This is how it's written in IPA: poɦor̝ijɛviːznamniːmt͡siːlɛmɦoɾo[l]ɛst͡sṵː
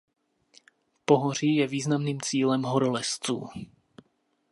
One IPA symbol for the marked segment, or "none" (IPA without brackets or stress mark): l